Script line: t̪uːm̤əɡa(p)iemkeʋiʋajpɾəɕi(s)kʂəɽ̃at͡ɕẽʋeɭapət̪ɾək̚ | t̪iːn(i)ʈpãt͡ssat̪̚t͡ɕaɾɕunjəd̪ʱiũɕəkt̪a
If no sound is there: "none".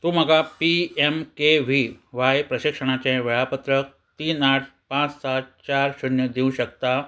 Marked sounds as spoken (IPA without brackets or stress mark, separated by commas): p, none, a